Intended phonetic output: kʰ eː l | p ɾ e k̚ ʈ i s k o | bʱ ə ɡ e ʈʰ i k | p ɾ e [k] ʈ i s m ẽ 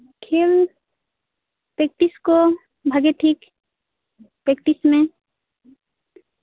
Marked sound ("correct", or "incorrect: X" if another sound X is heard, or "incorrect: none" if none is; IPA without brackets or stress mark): correct